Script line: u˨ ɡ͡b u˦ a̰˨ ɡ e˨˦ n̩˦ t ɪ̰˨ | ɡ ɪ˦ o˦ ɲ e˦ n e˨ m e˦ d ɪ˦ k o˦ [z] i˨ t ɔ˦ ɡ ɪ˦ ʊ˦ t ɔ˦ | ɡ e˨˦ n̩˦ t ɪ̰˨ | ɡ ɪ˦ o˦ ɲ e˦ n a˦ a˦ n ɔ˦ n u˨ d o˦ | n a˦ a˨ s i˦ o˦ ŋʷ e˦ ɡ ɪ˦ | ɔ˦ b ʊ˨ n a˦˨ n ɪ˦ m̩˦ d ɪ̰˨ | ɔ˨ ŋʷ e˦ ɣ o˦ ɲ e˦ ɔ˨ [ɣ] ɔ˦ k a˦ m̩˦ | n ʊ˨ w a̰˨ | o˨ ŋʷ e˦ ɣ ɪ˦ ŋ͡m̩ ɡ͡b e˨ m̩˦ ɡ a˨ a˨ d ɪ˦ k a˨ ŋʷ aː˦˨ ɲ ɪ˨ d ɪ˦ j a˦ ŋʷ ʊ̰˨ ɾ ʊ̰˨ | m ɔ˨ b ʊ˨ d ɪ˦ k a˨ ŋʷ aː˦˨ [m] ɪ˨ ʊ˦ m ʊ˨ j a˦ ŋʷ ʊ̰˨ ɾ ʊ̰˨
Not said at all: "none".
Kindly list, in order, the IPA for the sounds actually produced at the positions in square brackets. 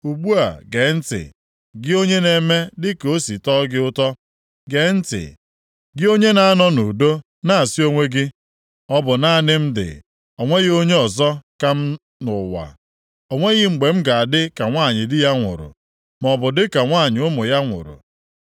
s, z, ɲ

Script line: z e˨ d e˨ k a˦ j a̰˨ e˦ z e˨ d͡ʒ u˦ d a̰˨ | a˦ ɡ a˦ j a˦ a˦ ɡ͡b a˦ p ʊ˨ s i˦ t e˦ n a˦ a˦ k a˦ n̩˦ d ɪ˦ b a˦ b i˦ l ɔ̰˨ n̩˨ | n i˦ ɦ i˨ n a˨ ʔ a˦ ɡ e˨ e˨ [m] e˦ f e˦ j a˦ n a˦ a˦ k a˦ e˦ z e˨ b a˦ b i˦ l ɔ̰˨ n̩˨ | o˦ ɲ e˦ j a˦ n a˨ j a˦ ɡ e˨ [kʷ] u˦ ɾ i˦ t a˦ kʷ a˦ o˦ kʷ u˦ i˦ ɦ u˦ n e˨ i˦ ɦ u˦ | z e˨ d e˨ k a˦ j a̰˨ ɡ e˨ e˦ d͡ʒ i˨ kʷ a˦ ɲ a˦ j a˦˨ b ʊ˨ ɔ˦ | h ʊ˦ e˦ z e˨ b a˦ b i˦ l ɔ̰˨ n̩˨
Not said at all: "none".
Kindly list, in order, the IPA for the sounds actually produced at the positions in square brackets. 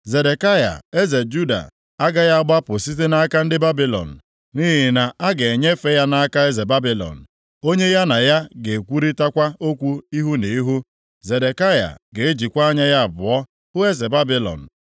ɲ, kʷ

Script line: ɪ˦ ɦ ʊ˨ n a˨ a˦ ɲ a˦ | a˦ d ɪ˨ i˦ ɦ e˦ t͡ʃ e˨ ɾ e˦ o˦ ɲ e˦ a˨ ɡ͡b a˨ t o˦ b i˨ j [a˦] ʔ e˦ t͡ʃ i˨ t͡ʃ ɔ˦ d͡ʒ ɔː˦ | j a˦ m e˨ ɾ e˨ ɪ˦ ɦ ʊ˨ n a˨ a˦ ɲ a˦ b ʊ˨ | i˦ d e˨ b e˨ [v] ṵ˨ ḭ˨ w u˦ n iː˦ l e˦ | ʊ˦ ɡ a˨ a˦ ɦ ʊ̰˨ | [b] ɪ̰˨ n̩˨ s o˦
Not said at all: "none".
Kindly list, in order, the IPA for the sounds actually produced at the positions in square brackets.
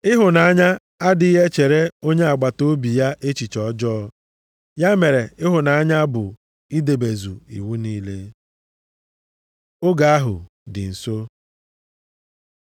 a˦, z, d

